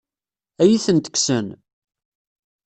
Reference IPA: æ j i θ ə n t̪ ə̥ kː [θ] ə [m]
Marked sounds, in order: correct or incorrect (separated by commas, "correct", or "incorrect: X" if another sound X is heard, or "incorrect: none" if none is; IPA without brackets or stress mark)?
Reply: incorrect: s, incorrect: n